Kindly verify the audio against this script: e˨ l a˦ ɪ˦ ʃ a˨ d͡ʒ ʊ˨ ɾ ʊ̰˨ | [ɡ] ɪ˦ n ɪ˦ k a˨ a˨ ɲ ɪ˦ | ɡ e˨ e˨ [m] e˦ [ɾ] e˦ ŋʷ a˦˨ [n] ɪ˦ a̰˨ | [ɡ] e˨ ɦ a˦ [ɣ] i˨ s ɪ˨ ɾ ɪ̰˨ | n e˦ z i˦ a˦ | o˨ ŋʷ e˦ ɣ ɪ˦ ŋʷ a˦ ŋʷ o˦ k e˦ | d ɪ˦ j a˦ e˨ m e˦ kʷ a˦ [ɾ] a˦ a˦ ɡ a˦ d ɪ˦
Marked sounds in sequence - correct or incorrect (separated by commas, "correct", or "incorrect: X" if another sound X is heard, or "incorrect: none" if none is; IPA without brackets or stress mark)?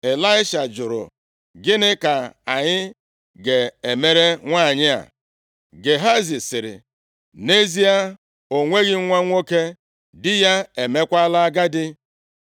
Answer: correct, correct, correct, incorrect: ɲ, correct, incorrect: z, incorrect: l